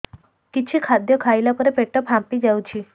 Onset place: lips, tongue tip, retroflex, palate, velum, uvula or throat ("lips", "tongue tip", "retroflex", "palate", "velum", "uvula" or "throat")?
velum